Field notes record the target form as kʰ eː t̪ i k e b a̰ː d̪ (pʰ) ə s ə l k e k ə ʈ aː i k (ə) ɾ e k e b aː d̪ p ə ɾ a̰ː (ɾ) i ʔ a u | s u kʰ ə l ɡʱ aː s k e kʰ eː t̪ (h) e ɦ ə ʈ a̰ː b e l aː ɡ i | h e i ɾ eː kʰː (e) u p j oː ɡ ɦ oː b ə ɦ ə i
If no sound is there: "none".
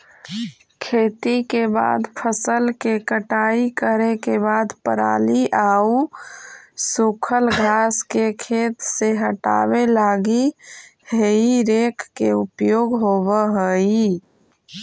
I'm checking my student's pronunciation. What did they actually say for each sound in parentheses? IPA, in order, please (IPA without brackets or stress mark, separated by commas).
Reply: pʰ, ə, l, s, e